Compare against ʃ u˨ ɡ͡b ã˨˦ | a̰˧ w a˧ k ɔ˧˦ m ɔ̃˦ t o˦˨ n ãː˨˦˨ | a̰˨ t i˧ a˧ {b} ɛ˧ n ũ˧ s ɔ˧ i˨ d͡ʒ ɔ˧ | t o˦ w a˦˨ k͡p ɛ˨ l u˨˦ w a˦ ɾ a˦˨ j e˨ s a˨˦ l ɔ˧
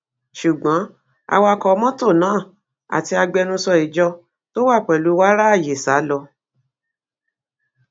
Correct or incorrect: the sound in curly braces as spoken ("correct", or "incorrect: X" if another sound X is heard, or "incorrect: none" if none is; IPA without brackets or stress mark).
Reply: incorrect: ɡ͡b